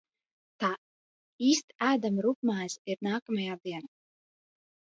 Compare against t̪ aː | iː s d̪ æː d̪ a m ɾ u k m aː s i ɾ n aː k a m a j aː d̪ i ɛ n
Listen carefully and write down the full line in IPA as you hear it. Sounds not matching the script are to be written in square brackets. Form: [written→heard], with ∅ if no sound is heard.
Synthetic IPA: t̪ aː | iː s [d̪→t̪] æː d̪ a m ɾ u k m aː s i ɾ n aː k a m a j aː d̪ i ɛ n